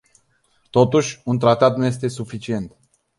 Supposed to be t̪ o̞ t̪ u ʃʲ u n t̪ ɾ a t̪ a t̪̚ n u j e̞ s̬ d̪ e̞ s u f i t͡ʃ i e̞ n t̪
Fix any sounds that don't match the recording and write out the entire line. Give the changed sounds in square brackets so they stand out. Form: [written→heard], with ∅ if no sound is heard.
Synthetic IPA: t̪ o̞ t̪ u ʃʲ u n t̪ ɾ a t̪ a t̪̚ n u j e̞ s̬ [d̪→t̪] e̞ s u f i t͡ʃ i e̞ n t̪